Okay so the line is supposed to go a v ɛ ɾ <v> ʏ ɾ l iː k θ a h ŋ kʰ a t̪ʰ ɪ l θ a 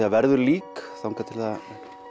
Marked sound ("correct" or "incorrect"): incorrect